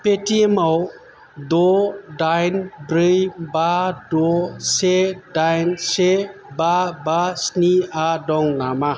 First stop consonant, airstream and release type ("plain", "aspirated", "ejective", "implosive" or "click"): plain